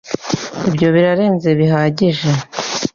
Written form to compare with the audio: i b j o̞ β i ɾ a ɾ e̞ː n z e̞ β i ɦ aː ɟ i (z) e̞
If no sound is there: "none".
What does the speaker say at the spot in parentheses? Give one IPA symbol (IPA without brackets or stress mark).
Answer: ʒ